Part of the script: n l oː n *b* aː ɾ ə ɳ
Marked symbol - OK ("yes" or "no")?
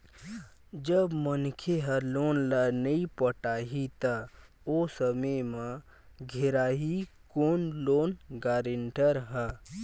no